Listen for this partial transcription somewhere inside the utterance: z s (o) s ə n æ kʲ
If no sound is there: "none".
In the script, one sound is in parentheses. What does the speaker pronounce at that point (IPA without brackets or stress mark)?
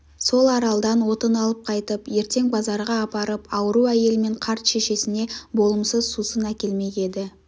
u